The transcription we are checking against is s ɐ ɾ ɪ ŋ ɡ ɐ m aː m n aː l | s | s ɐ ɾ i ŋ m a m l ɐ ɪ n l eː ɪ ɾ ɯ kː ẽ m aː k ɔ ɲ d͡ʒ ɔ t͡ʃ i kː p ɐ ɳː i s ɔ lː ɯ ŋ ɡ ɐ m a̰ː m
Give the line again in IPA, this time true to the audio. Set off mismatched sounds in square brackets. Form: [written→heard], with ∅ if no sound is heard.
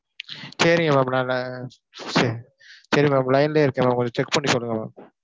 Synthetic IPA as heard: s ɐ ɾ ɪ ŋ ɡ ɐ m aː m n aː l | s | s ɐ ɾ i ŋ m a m l ɐ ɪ n l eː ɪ ɾ ɯ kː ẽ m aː k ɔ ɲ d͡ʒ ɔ t͡ʃ [i→ɛ] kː p ɐ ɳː i s ɔ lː ɯ ŋ ɡ ɐ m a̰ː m